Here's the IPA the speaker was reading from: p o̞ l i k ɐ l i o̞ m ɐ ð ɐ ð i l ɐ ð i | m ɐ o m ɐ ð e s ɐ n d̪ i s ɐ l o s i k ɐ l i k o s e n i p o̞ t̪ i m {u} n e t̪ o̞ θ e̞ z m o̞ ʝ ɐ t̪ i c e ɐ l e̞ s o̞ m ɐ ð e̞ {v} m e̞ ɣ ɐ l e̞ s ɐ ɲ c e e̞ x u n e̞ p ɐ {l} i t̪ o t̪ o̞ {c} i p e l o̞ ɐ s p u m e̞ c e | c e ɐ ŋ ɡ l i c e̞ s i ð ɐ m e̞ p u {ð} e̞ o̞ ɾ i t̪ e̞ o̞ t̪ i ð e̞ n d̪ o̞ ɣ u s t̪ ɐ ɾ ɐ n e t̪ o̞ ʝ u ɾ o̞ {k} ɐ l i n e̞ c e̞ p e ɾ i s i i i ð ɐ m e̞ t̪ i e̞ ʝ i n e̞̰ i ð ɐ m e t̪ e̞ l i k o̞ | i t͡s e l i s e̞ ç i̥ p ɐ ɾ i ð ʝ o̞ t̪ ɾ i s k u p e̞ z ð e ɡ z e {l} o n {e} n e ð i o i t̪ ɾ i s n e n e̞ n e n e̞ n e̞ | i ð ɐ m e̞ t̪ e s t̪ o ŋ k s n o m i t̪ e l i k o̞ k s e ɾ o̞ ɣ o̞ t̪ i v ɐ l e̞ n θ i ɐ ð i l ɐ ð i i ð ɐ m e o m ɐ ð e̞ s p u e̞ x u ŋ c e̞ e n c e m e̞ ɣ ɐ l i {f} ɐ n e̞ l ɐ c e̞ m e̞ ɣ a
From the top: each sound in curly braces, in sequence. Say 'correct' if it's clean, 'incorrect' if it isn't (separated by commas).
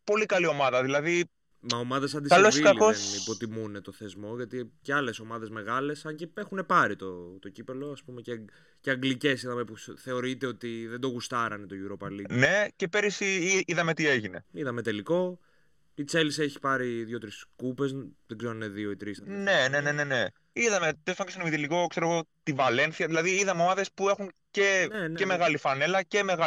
correct, incorrect, incorrect, correct, incorrect, incorrect, incorrect, incorrect, correct